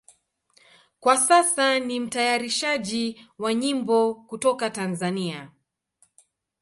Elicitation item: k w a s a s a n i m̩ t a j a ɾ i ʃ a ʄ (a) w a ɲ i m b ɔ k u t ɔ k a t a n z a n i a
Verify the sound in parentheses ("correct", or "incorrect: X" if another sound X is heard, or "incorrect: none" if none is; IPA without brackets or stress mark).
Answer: incorrect: i